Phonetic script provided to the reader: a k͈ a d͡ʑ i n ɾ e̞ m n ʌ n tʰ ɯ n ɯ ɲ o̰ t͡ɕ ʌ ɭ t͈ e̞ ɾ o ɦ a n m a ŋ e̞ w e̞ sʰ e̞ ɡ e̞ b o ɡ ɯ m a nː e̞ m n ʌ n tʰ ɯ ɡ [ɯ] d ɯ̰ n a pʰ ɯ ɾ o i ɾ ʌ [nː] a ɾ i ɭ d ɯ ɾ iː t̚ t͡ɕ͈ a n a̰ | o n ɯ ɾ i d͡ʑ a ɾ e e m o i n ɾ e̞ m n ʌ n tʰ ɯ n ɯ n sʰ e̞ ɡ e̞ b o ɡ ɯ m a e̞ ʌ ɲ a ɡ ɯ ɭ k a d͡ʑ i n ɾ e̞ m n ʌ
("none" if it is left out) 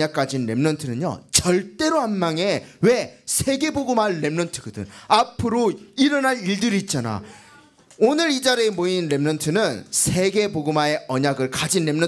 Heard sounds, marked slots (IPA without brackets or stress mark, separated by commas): ɯ, n